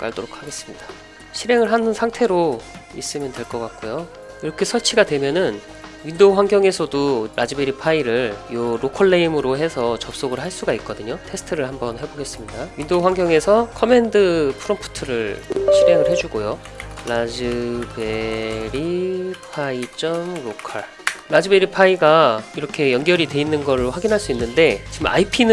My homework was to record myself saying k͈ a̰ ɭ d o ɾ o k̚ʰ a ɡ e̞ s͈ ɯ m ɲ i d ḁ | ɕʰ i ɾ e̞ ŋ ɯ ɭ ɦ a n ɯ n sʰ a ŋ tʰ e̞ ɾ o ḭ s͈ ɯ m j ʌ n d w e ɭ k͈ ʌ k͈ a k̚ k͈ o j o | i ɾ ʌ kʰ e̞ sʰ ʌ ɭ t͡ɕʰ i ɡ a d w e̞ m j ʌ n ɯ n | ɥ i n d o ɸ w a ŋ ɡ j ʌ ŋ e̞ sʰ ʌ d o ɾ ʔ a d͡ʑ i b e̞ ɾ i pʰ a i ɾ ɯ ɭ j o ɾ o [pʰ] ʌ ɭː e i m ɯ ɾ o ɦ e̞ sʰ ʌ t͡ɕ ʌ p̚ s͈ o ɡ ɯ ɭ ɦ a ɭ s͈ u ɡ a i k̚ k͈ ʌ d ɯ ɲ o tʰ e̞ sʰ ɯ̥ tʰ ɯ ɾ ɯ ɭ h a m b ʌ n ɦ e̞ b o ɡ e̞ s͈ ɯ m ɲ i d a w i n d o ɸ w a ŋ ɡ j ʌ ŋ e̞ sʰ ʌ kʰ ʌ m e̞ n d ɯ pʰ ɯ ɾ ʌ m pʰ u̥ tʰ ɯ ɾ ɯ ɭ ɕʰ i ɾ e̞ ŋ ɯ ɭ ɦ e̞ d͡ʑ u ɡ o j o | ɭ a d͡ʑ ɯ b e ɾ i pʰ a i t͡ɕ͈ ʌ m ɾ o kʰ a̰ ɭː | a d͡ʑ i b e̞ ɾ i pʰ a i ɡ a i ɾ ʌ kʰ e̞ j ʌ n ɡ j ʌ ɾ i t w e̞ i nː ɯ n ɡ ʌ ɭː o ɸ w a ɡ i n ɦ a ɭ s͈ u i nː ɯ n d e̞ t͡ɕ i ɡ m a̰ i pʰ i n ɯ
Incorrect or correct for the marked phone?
incorrect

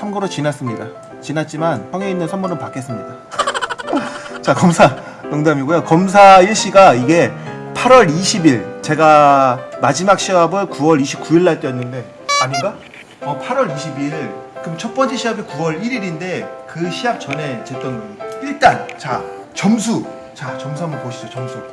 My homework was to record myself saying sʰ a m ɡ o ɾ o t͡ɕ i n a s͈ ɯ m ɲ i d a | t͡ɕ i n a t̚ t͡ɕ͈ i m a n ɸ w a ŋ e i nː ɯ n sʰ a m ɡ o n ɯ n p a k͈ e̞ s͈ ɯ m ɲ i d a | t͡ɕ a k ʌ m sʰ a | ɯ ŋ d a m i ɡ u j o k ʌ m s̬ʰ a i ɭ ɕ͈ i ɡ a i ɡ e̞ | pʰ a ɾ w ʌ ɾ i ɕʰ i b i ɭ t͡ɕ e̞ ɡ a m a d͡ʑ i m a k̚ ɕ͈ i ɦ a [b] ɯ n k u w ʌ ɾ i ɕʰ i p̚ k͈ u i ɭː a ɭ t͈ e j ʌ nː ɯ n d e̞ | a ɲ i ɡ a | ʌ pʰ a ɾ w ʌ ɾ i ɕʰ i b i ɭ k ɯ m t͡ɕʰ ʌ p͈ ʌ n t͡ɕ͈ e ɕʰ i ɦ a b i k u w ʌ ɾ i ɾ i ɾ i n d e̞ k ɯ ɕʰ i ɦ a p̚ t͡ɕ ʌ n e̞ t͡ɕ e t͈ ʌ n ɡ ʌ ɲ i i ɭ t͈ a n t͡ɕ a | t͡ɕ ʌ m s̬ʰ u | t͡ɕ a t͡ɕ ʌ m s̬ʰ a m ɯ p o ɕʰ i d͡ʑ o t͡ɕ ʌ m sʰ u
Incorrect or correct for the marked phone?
correct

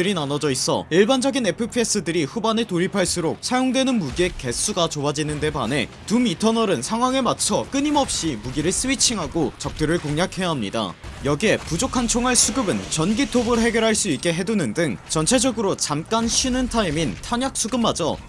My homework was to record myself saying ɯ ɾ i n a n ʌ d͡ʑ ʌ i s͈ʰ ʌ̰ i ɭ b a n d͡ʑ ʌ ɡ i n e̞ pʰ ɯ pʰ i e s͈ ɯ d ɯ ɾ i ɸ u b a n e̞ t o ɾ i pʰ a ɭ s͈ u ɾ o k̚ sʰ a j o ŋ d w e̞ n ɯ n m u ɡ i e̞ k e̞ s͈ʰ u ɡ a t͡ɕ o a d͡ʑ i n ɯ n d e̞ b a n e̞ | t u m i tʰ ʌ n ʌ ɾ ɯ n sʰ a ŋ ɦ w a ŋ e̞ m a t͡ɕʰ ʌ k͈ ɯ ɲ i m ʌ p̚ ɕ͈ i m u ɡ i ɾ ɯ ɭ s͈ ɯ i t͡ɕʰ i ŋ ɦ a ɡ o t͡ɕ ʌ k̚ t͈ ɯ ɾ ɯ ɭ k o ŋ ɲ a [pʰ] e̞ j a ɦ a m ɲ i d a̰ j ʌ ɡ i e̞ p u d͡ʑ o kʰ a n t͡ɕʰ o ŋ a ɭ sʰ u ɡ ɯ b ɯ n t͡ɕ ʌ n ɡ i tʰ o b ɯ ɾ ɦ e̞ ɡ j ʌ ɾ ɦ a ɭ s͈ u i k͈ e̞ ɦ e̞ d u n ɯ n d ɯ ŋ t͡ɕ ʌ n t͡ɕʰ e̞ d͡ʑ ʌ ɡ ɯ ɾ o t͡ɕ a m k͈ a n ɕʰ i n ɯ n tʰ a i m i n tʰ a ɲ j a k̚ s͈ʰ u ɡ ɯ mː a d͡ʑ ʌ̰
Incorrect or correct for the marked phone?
incorrect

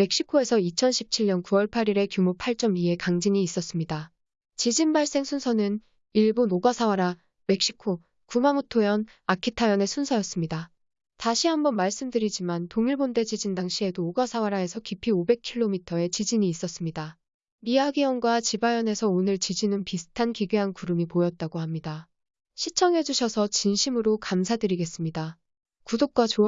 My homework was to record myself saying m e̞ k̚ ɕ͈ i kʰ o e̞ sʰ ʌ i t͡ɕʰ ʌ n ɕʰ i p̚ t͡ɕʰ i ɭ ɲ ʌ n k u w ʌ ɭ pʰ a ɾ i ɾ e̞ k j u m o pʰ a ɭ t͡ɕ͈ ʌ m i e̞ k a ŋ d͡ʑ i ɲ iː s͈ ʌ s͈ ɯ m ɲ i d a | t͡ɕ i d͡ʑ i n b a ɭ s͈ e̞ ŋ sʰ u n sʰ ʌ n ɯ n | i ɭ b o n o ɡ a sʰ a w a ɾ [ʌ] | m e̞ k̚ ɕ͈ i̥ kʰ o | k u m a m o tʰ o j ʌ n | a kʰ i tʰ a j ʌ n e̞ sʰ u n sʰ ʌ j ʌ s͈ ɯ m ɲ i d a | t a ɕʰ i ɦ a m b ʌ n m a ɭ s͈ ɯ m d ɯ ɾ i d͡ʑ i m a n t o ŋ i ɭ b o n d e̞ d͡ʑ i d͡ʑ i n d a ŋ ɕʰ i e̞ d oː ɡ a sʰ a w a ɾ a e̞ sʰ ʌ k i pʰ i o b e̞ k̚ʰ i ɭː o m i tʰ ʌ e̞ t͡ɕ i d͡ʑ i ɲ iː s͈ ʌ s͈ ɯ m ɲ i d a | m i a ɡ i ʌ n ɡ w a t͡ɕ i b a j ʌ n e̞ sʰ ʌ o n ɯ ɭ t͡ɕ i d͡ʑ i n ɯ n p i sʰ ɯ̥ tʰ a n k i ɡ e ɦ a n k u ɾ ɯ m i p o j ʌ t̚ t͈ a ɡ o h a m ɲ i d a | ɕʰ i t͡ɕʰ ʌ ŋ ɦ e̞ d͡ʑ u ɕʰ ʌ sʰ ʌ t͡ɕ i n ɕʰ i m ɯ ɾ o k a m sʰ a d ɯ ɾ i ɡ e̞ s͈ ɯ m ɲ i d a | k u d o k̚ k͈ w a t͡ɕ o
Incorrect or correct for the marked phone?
incorrect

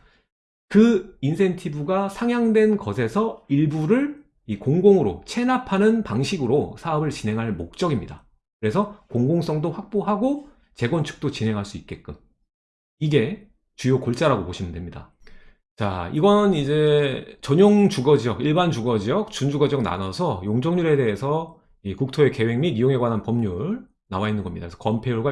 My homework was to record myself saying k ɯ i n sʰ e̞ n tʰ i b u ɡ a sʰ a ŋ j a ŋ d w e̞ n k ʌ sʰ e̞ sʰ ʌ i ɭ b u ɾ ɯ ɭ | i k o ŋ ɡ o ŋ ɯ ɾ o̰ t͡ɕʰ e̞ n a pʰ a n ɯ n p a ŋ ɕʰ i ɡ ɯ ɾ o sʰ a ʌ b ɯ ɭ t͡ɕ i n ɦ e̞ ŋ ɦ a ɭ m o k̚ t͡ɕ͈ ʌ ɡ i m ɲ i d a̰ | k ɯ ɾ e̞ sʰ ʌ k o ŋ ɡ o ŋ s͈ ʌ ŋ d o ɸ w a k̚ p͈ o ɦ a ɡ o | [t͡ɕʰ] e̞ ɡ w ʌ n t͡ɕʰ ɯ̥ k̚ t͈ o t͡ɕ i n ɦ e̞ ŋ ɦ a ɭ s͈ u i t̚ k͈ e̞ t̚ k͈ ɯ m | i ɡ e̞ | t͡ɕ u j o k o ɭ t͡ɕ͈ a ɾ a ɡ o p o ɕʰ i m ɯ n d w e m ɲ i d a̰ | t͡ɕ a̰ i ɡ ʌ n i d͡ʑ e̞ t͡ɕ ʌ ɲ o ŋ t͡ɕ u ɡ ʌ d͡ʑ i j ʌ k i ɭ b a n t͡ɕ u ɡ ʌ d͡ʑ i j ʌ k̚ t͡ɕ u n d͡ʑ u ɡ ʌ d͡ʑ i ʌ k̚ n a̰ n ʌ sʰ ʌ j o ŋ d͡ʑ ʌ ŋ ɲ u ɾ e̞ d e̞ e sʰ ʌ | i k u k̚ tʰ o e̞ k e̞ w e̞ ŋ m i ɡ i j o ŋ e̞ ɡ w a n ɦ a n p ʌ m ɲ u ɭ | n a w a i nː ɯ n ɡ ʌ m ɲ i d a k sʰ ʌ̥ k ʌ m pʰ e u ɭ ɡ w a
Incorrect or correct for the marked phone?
incorrect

